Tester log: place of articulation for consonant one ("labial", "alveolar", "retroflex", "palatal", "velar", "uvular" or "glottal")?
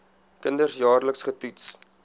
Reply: velar